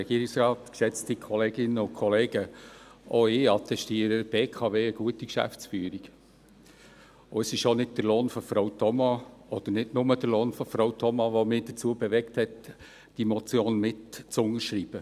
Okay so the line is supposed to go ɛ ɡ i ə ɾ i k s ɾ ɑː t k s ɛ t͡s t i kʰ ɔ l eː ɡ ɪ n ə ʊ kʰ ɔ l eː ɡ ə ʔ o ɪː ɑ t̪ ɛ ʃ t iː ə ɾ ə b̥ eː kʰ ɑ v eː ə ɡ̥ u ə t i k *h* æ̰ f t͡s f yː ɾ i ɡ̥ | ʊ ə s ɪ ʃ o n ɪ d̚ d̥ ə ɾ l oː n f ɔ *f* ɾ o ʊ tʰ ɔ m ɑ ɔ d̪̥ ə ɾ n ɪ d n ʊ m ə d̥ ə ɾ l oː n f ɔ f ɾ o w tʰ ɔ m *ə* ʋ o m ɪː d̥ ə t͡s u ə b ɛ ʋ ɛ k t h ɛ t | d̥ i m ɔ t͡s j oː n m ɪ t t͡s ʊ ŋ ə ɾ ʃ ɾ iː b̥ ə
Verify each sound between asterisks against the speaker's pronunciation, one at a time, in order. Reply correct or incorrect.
incorrect, correct, incorrect

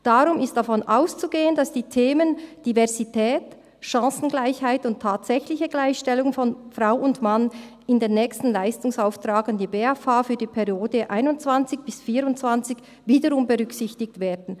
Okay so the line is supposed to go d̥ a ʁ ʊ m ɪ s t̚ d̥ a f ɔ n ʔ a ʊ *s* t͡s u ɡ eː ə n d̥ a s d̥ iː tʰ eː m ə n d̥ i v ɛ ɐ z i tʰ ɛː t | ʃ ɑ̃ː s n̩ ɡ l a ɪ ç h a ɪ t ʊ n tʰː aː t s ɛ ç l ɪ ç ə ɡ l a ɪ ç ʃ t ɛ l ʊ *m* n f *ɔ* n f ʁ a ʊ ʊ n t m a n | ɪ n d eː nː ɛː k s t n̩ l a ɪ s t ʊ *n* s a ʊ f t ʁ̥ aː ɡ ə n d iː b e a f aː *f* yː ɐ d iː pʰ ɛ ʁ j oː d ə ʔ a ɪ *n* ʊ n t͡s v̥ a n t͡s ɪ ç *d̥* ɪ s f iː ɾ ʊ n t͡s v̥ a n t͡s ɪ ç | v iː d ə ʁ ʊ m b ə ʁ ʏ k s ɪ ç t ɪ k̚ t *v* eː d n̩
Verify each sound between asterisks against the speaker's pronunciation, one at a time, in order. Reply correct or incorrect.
correct, incorrect, correct, incorrect, correct, correct, incorrect, correct

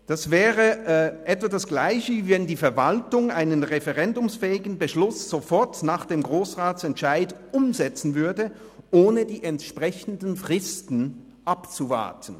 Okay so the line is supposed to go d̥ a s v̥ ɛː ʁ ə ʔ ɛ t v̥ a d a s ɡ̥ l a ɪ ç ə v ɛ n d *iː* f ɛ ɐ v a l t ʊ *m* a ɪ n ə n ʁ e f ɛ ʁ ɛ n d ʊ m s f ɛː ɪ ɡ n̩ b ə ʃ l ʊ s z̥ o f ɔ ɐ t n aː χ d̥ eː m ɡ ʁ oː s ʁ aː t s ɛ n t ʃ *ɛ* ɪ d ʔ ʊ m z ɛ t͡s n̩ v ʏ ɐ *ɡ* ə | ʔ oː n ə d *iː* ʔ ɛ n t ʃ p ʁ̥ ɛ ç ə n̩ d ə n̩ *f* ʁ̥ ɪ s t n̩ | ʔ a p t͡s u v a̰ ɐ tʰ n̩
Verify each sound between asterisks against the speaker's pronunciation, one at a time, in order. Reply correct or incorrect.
correct, incorrect, incorrect, incorrect, correct, correct

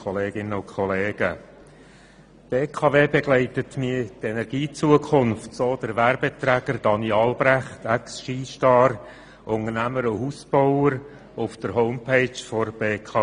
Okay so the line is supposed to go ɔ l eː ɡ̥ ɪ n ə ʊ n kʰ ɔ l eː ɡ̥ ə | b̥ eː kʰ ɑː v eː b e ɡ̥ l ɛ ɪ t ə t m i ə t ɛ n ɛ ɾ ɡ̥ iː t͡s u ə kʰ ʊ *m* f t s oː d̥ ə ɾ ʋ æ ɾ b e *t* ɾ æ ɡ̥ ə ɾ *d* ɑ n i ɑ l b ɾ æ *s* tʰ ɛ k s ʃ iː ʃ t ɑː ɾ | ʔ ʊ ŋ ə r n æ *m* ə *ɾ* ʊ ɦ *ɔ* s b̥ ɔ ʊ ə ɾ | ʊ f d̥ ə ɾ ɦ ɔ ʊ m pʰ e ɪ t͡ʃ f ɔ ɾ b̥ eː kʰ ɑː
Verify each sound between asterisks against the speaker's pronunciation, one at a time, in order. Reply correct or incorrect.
incorrect, correct, correct, incorrect, correct, correct, incorrect

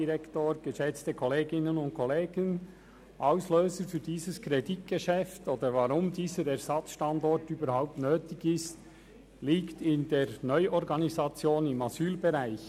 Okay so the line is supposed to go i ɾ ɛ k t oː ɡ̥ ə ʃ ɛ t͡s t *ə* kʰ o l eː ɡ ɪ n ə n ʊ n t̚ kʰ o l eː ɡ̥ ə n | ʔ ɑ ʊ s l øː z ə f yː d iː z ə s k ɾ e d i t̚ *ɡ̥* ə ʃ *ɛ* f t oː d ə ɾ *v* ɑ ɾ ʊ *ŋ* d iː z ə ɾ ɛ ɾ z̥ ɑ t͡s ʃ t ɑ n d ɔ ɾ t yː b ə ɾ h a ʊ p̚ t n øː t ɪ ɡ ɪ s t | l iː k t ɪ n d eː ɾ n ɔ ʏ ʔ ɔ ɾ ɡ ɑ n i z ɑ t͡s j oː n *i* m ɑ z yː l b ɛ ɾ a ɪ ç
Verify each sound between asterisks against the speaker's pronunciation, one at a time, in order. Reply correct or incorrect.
correct, correct, correct, correct, incorrect, incorrect

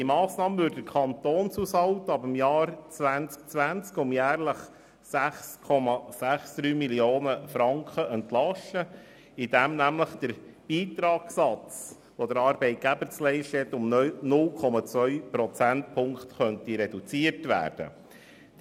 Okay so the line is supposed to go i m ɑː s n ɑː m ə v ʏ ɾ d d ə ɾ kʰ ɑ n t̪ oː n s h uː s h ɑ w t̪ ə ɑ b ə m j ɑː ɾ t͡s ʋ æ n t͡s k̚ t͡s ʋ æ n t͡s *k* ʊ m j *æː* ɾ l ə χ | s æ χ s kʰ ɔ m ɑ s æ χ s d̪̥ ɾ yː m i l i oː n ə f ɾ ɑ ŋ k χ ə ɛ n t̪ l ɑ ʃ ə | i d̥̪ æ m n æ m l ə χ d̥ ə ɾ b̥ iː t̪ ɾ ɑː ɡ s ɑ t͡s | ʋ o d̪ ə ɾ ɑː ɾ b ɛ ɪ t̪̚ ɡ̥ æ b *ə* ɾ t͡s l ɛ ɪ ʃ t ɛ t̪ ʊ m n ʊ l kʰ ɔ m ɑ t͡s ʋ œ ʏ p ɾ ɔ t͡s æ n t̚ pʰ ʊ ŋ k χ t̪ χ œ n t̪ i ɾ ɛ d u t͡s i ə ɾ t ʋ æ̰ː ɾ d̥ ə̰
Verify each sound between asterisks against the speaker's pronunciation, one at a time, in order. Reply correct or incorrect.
correct, correct, correct

